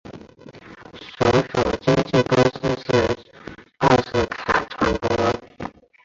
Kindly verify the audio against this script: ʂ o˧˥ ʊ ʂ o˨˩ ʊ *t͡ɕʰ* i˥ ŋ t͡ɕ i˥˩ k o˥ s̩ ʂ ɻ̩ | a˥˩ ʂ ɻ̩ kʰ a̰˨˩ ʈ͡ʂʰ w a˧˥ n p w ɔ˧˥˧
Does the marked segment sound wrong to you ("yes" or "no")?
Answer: yes